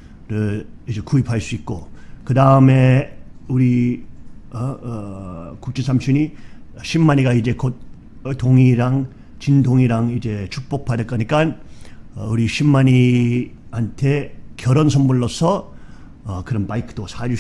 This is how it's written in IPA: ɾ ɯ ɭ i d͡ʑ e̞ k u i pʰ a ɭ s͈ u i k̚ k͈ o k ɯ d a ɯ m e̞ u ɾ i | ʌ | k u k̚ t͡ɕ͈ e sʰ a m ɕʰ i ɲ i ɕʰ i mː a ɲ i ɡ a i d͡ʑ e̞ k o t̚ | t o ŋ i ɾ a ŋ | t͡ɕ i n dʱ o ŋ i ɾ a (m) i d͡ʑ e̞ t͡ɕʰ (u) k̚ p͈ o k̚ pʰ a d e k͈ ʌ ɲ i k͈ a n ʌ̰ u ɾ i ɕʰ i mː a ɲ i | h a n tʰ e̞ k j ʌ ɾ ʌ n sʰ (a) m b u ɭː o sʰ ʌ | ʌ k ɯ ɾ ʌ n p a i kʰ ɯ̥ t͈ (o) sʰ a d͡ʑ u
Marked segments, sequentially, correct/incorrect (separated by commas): incorrect, correct, incorrect, correct